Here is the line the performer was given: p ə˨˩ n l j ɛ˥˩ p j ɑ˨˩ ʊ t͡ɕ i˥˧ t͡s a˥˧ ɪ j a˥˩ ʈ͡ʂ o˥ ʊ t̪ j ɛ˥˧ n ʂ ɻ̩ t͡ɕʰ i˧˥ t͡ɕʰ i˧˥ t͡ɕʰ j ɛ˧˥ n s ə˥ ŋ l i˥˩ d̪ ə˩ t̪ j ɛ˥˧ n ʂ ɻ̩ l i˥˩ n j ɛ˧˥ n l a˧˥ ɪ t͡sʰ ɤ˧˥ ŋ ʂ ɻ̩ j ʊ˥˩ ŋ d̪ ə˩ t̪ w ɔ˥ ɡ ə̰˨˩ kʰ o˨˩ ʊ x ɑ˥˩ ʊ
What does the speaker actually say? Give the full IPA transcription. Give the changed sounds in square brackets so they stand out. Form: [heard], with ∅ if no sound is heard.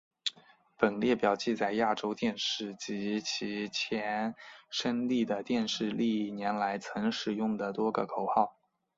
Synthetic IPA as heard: p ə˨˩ n l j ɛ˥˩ p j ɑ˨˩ ʊ t͡ɕ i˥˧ t͡s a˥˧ ɪ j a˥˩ ʈ͡ʂ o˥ ʊ t̪ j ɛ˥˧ n ʂ ɻ̩ [t͡ɕ] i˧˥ t͡ɕʰ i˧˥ t͡ɕʰ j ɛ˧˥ n [ʂ] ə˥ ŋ l i˥˩ d̪ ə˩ t̪ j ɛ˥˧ n ʂ ɻ̩ l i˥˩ n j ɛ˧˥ n l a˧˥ ɪ t͡sʰ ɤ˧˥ ŋ ʂ ɻ̩ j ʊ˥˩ ŋ d̪ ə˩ t̪ w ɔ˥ ɡ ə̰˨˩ kʰ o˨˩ ʊ x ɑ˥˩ ʊ